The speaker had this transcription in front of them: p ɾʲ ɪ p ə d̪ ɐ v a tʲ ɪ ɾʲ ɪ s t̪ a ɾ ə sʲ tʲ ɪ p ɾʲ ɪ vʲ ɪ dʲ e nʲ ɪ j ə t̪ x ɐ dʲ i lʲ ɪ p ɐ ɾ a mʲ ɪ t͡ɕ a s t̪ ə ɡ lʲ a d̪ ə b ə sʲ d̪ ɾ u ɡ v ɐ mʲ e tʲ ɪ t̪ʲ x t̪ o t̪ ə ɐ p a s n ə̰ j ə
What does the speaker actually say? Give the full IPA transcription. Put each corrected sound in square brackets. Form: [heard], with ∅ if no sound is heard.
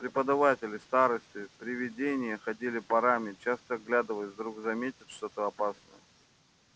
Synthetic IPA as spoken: p ɾʲ ɪ p ə d̪ ɐ v a tʲ ɪ [lʲ] ɪ s t̪ a ɾ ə sʲ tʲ ɪ p ɾʲ ɪ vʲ ɪ dʲ e nʲ ɪ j ə [∅] x ɐ dʲ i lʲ ɪ p ɐ ɾ a mʲ ɪ t͡ɕ a s t̪ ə ɡ lʲ a d̪ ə [v] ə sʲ d̪ ɾ u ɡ [z] ɐ mʲ e tʲ ɪ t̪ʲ [ʂ] t̪ o t̪ ə ɐ p a s n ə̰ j ə

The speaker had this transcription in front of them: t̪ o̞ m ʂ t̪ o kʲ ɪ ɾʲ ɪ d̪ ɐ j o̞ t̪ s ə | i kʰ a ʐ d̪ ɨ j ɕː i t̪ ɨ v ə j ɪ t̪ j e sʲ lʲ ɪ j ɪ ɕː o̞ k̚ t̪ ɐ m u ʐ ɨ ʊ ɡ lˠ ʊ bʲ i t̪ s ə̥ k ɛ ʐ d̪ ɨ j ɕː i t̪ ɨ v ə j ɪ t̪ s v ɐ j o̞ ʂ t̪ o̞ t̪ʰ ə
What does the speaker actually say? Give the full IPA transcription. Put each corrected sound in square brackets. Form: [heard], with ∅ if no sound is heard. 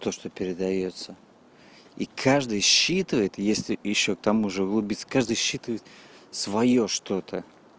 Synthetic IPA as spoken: t̪ o̞ [∅] ʂ t̪ o [pʲ] ɪ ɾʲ ɪ d̪ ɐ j o̞ t̪ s ə | i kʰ a ʐ d̪ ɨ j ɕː i t̪ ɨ v ə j ɪ t̪ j e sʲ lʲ ɪ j ɪ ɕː o̞ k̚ t̪ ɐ m u ʐ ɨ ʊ ɡ lˠ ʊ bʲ i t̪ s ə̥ k [a] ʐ d̪ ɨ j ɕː i t̪ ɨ v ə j ɪ t̪ s v ɐ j o̞ ʂ t̪ o̞ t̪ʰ ə

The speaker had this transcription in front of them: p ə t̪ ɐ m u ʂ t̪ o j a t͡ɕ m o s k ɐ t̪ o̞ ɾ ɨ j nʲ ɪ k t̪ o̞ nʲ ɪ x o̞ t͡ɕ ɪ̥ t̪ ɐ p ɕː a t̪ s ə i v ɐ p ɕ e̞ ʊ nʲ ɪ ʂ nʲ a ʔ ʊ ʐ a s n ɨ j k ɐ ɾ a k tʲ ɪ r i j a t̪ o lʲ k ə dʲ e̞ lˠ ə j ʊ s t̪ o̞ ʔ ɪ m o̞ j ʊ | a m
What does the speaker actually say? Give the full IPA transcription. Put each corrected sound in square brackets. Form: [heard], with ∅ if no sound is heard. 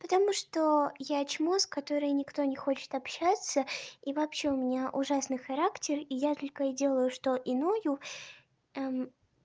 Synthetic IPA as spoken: p ə t̪ ɐ m u ʂ t̪ o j a t͡ɕ m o s k ɐ t̪ o̞ ɾ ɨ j nʲ ɪ k t̪ o̞ nʲ ɪ x o̞ t͡ɕ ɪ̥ t̪ ɐ p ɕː a t̪ s ə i v ɐ p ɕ e̞ ʊ [mʲ] ɪ [∅] nʲ a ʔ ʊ ʐ a s n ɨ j [x] ɐ ɾ a k tʲ ɪ r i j a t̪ o lʲ k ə dʲ e̞ lˠ ə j ʊ [ʂ] t̪ o̞ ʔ ɪ [n] o̞ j ʊ | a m

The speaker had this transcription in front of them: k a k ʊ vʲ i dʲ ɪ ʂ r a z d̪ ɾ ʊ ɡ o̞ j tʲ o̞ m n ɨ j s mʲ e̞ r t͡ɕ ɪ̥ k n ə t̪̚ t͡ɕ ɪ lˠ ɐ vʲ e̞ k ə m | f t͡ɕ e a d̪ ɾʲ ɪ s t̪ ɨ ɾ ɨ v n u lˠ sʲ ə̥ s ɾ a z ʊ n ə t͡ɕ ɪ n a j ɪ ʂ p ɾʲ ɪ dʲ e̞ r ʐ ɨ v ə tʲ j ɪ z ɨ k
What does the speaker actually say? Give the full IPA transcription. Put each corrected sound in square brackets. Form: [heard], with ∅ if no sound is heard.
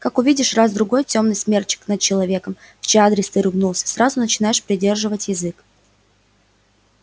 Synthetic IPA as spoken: k a k ʊ vʲ i dʲ ɪ ʂ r a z d̪ ɾ ʊ ɡ o̞ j tʲ o̞ m n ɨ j s mʲ e̞ r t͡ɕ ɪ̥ k n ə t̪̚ t͡ɕ ɪ lˠ ɐ vʲ e̞ k ə m | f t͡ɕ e a d̪ ɾʲ ɪ s t̪ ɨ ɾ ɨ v n u lˠ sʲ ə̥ s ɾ a z ʊ n ə t͡ɕ ɪ n a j ɪ ʂ p ɾʲ ɪ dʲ e̞ r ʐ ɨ v ə tʲ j ɪ z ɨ k

